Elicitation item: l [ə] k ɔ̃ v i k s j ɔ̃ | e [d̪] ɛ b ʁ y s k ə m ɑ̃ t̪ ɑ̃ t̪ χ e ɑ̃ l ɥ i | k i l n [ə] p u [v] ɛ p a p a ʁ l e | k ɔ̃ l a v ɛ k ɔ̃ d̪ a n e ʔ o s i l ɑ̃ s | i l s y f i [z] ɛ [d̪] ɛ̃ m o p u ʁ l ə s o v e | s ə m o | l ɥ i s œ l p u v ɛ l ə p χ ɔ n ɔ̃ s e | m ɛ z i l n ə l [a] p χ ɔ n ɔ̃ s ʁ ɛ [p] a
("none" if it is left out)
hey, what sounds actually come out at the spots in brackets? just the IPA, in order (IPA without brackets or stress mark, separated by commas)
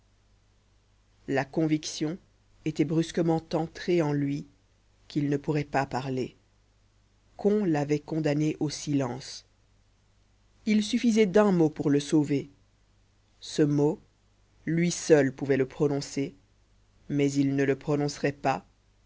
a, t̪, ə, ʁ, z, d̪, ə, p